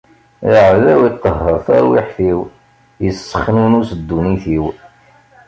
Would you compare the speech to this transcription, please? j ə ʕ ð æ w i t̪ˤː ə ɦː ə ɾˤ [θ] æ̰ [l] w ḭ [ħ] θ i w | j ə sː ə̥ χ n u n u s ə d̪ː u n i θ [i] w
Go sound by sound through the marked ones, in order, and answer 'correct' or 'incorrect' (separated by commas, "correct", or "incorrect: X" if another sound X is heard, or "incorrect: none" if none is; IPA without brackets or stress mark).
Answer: correct, incorrect: ɾ, correct, correct